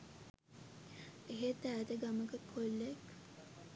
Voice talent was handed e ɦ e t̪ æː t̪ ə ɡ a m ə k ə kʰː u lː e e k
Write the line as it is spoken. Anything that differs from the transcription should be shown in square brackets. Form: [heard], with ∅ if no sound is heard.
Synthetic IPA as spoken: e ɦ e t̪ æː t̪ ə ɡ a m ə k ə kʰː [o] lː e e k